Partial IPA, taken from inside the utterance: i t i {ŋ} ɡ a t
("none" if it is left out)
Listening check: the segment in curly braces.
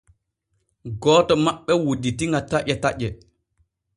ŋ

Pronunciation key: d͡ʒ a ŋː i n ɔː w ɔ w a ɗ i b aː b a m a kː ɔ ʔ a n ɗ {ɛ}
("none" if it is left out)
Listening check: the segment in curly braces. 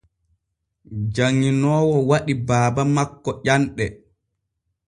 ɛ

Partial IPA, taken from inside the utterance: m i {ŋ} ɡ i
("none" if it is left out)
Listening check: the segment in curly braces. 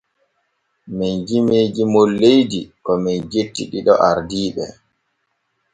n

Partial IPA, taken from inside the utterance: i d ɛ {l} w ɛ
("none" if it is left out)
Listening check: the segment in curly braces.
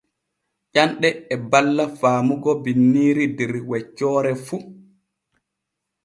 ɾ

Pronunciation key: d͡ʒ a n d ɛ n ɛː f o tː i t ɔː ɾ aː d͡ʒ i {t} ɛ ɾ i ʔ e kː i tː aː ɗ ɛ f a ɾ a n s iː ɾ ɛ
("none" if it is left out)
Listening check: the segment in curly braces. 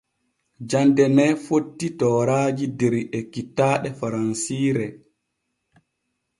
d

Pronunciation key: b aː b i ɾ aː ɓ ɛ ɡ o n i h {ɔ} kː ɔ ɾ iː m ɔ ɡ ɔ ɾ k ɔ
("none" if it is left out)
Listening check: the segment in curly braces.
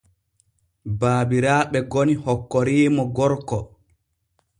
ɔ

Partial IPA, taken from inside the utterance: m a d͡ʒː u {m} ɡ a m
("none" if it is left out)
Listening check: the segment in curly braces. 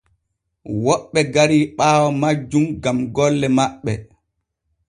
m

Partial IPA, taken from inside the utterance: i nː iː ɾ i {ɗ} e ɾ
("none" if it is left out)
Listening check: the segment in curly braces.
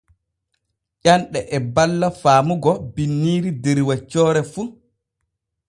d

